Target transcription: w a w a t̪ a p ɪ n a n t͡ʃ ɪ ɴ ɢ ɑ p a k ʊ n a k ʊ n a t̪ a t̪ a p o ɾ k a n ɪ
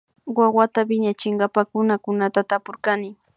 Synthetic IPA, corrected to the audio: w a w a t̪ a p ɪ ɲ a t͡ʃ ɪ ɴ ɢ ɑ p a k ʊ n a k ʊ n a t̪ a t̪ a p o ɾ k a n ɪ